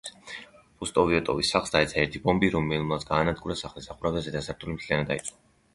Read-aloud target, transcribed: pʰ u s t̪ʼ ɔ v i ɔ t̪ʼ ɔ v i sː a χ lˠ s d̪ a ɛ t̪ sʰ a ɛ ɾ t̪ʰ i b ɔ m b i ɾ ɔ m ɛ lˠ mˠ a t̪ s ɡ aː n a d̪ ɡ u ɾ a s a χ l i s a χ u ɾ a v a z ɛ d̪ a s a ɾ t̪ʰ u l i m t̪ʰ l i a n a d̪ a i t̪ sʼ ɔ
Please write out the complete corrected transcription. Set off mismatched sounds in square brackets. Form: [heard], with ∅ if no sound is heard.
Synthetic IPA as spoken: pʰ u s t̪ʼ ɔ v i ɔ t̪ʼ ɔ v i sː a χ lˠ s d̪ a ɛ t̪ sʰ a ɛ ɾ t̪ʰ i b ɔ m b i ɾ ɔ m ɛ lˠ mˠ a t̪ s ɡ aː n a d̪ ɡ u ɾ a s a χ l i s a χ u ɾ a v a z ɛ d̪ a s a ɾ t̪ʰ u l i m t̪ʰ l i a n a d̪ a i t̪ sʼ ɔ